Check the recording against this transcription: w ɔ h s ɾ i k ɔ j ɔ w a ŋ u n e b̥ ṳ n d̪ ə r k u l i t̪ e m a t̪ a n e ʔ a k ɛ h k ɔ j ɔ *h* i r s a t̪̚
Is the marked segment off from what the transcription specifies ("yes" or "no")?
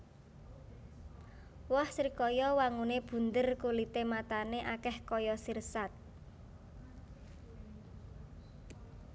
yes